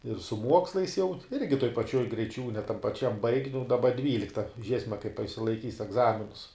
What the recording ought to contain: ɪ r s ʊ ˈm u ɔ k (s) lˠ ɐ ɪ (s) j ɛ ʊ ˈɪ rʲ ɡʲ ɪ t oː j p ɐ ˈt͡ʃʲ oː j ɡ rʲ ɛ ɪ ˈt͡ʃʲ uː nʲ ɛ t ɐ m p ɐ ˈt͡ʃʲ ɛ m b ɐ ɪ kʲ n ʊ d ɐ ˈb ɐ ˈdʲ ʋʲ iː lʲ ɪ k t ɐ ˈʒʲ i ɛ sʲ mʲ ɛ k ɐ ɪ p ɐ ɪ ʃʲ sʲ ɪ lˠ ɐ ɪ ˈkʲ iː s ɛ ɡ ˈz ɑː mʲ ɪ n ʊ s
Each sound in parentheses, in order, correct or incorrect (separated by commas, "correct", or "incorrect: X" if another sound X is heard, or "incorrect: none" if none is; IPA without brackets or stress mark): correct, correct